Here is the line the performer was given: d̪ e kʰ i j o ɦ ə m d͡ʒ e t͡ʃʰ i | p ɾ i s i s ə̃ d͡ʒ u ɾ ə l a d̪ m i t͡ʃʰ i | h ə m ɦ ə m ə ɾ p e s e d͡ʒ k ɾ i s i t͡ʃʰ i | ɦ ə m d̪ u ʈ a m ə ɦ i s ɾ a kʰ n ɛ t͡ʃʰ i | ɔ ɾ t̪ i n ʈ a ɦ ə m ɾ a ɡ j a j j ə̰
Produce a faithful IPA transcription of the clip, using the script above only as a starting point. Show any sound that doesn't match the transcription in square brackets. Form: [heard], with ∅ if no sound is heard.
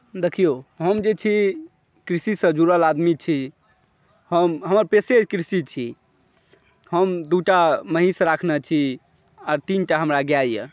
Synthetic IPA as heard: d̪ e kʰ i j o ɦ ə m d͡ʒ e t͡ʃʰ i | [k] ɾ i s i s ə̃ d͡ʒ u ɾ ə l a d̪ m i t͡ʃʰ i | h ə m ɦ ə m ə ɾ p e s e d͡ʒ k ɾ i s i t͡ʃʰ i | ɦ ə m d̪ u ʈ a m ə ɦ i s ɾ a kʰ n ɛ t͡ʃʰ i | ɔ ɾ t̪ i n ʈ a ɦ ə m ɾ a ɡ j a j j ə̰